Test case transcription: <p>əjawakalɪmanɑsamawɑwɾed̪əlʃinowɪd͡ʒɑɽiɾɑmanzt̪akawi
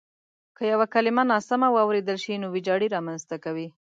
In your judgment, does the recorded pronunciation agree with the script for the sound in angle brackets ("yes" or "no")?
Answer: no